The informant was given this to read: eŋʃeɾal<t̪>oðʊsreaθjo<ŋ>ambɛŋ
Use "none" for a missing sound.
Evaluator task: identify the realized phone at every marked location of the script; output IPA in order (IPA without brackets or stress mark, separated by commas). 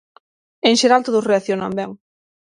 t̪, n